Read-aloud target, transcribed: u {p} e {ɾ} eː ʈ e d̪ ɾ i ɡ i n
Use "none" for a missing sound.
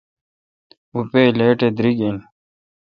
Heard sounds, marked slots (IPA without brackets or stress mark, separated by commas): p, l